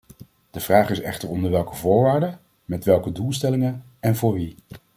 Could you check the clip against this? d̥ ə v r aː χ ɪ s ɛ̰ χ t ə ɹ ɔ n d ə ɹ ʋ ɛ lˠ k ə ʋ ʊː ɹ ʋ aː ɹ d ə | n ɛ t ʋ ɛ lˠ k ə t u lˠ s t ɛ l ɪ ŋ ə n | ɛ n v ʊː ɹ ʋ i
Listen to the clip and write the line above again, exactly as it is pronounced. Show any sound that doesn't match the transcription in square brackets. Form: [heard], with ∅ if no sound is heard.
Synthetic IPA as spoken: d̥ ə v r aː χ ɪ s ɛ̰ χ t ə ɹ ɔ n d ə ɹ ʋ ɛ lˠ k ə [v] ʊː ɹ ʋ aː ɹ d ə | [m] ɛ t ʋ ɛ lˠ k ə [d] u lˠ s t ɛ l ɪ ŋ ə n | ɛ n v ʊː ɹ ʋ i